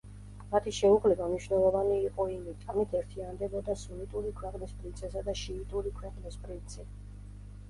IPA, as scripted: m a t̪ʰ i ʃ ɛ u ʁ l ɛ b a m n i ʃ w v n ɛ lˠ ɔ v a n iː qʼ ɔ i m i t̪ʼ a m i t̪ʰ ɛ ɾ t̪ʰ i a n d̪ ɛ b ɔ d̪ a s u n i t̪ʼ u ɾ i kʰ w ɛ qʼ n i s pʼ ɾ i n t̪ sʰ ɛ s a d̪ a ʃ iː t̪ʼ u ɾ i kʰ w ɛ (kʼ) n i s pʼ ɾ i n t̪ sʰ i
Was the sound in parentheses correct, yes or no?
no